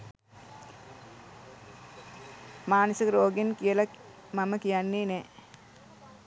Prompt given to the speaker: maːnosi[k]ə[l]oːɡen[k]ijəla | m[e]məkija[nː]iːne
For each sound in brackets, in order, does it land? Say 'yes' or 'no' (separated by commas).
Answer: yes, no, yes, no, yes